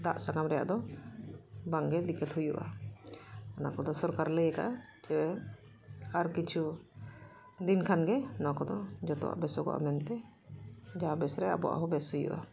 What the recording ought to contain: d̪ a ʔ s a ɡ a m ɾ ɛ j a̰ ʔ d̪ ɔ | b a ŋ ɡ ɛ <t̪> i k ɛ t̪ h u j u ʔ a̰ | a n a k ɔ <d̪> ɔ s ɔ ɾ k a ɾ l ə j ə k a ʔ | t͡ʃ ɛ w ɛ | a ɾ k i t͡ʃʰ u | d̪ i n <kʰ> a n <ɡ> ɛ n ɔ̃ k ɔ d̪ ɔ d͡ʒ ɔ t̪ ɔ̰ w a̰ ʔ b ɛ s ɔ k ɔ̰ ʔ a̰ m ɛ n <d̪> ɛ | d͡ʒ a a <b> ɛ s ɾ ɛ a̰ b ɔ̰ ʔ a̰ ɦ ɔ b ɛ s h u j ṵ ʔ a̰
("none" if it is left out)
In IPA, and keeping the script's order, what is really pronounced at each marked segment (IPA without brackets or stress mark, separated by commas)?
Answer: d̪, d̪, kʰ, ɡ, t̪, b